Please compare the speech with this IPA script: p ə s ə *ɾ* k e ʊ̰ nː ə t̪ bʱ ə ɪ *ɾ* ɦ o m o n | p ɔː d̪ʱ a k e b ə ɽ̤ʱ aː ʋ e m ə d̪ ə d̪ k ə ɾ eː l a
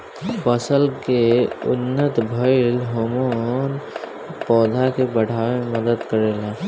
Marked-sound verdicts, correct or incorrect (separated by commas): incorrect, incorrect